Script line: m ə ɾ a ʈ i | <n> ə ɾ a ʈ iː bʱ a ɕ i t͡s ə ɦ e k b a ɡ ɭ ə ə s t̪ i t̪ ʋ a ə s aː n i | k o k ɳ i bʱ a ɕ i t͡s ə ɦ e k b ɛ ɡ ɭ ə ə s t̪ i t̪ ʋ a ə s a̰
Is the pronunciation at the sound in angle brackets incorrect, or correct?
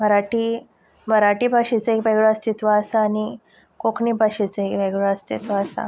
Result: incorrect